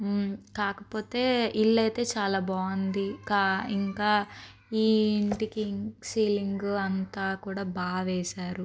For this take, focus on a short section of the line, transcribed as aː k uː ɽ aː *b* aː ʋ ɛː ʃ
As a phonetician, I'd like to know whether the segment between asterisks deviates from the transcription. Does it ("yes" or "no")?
no